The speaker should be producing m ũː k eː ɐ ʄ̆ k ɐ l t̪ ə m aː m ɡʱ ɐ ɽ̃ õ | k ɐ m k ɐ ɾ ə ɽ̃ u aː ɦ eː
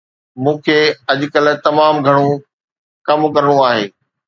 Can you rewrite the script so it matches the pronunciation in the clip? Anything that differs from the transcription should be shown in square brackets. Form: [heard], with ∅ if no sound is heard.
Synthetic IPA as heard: m ũː [kʰ] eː ɐ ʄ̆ k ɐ l t̪ [ɐ] m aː m ɡʱ ɐ ɽ̃ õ | k ɐ m k ɐ ɾ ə ɽ̃ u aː ɦ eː